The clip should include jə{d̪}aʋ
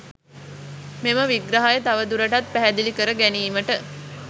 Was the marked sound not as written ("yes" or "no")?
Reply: yes